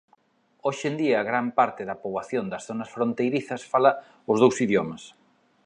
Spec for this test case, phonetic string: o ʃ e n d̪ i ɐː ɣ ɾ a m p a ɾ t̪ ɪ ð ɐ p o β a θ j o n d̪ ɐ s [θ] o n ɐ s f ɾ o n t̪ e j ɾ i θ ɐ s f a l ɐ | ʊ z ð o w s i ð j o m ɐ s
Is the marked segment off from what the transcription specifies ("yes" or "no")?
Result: no